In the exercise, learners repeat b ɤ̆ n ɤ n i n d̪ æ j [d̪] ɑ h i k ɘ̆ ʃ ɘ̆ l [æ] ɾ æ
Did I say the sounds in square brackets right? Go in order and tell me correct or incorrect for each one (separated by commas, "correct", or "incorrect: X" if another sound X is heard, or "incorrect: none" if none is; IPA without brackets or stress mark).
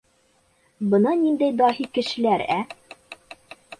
correct, correct